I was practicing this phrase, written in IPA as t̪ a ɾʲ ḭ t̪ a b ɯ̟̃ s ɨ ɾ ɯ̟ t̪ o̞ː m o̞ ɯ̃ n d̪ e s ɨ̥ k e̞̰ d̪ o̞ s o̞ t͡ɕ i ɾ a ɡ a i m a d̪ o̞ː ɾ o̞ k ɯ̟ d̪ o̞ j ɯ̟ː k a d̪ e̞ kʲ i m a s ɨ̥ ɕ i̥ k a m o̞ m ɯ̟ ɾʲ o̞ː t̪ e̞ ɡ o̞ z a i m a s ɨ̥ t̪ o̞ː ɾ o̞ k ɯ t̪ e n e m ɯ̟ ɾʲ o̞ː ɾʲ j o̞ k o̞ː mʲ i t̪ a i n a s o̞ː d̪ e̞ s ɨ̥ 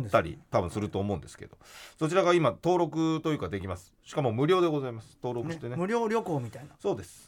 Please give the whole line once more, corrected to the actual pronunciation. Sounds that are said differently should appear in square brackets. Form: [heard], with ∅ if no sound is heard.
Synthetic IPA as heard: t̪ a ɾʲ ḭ t̪ a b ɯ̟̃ s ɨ ɾ ɯ̟ t̪ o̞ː m o̞ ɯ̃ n d̪ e s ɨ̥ k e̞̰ d̪ o̞ s o̞ t͡ɕ i ɾ a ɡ a i m a [t̪] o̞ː ɾ o̞ k ɯ̟ [t̪] o̞ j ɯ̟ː k a d̪ e̞ kʲ i m a s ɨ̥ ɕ i̥ k a m o̞ m ɯ̟ ɾʲ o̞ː [d̪] e̞ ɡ o̞ z a i m a s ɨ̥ t̪ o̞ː ɾ o̞ k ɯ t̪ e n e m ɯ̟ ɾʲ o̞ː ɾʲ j o̞ k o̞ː mʲ i t̪ a i n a s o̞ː d̪ e̞ s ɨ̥